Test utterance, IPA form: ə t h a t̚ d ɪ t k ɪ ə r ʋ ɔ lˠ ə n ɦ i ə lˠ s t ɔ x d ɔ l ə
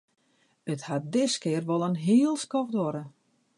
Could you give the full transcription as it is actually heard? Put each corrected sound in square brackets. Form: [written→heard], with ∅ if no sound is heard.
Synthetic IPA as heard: ə t h a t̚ d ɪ [t→s] k ɪ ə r ʋ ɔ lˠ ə n ɦ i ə lˠ s [t→k] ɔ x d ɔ [l→ɾ] ə